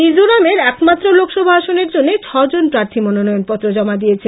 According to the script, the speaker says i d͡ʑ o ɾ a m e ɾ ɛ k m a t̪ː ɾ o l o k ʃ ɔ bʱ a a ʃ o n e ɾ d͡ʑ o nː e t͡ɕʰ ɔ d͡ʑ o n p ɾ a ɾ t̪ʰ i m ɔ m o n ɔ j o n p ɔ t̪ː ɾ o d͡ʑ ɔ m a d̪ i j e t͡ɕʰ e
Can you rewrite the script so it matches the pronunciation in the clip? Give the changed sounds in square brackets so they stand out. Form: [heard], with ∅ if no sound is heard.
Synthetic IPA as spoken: i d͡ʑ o ɾ a m e ɾ ɛ k m a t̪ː ɾ o l o k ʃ ɔ bʱ a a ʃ o n e ɾ d͡ʑ o nː e t͡ɕʰ ɔ d͡ʑ o n p ɾ a ɾ t̪ʰ i m ɔ [n] o n ɔ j o n p ɔ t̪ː ɾ o d͡ʑ ɔ m a d̪ i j e t͡ɕʰ e